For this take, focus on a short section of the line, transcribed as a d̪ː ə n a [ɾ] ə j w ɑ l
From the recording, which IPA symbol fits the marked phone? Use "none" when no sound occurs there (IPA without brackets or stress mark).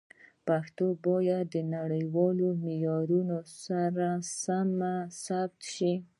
ɽ